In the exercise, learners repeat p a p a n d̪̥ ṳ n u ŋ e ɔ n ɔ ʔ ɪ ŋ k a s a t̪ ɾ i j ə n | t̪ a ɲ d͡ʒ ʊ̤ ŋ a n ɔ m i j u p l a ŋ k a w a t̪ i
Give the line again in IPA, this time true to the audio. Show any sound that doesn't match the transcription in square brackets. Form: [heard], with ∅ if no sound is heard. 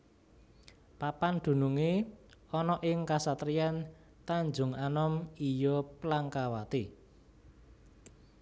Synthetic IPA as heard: p a p a n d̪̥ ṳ n u ŋ e ɔ n ɔ ʔ ɪ ŋ k a s a t̪ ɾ i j [a] n | t̪ a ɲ d͡ʒ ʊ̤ ŋ a n ɔ m i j [ɔ] p l a ŋ k a w a t̪ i